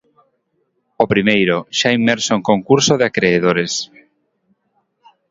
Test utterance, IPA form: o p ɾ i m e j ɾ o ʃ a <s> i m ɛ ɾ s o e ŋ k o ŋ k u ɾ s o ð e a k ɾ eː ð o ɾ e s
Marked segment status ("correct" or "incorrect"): incorrect